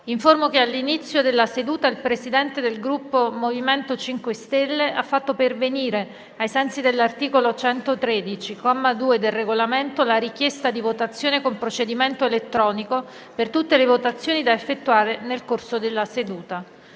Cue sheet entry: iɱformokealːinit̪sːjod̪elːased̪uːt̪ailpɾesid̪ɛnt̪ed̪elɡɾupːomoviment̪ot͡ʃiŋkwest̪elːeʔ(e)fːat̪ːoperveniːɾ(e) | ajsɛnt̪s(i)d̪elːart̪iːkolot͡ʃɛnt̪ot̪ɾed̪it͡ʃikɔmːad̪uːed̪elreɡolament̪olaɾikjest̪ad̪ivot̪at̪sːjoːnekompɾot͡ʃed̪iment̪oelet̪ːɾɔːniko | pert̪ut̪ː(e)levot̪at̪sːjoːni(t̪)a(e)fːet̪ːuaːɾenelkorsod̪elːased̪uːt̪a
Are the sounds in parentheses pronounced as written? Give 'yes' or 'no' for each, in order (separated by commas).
no, yes, yes, yes, no, yes